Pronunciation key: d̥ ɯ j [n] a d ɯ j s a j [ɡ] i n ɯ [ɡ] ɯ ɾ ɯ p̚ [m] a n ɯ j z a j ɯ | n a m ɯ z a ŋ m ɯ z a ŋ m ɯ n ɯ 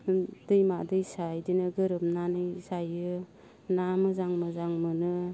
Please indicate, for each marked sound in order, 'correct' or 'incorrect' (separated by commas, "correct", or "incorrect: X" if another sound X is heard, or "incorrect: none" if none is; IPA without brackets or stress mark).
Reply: incorrect: m, incorrect: d, correct, incorrect: n